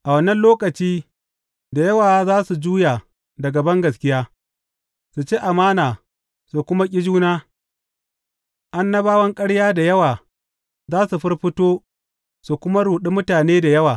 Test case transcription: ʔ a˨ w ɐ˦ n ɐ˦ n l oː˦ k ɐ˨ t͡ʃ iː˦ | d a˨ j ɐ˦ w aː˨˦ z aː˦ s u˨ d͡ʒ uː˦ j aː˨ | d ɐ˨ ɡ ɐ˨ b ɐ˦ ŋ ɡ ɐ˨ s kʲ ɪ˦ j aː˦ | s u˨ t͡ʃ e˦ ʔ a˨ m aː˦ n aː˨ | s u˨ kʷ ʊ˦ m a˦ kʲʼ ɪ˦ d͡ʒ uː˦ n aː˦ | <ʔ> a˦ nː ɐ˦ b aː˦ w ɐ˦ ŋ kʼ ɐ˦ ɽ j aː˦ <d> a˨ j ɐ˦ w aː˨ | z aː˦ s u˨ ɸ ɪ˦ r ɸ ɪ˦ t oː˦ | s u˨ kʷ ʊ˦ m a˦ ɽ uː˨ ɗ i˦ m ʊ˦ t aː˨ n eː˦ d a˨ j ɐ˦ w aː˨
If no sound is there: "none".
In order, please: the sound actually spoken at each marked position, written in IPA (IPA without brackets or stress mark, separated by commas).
ʔ, d